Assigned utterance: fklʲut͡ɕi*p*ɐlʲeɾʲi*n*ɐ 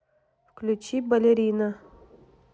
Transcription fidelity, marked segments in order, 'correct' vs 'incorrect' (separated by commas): incorrect, correct